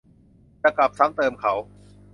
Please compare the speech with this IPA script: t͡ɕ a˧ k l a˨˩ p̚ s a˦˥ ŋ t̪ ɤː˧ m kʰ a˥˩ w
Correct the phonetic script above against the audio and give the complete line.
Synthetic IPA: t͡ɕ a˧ k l a˨˩ p̚ s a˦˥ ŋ t̪ ɤː˧ m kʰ a˦˥ w